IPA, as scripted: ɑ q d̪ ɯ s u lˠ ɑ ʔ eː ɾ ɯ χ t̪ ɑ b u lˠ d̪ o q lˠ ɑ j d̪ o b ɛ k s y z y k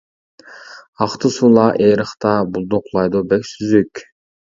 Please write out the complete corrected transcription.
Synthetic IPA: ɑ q t̪ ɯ s u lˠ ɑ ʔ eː ɾ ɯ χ t̪ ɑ b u lˠ d̪ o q lˠ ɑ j d̪ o b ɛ k s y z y k